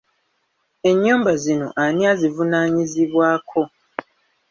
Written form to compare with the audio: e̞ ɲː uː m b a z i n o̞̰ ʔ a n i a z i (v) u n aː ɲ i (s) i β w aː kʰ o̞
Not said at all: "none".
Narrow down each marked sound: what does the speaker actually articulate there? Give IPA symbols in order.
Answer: v, z

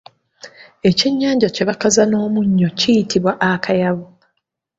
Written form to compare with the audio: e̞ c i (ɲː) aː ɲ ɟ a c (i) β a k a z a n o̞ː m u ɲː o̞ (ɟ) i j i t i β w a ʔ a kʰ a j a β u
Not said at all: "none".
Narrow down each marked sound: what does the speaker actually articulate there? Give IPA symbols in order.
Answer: ɲː, e, c

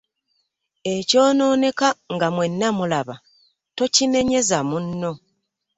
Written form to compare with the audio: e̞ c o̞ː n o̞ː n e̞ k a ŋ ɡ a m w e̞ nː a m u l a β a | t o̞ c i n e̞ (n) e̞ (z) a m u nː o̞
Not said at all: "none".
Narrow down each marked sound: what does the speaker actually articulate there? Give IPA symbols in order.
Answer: ɲ, z

